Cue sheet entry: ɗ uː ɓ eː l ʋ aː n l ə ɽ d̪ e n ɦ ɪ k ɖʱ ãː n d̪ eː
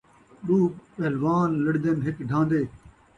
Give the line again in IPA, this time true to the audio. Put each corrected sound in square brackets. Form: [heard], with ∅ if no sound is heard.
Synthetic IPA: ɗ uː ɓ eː l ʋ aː n l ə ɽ d̪ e n ɦ ɪ k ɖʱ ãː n d̪ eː